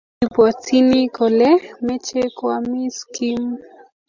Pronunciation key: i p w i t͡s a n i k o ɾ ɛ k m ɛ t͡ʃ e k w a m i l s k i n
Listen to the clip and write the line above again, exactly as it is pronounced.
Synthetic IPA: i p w a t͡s i n i k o l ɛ m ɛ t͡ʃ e k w a m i s k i m